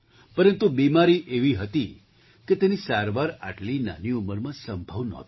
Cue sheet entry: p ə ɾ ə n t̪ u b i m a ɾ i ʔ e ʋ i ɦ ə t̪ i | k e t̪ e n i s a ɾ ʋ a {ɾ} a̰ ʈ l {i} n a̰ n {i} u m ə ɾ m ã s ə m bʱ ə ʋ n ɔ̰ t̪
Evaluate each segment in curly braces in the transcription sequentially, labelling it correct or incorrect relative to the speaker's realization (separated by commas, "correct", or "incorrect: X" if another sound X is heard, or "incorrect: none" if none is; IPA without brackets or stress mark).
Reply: correct, correct, correct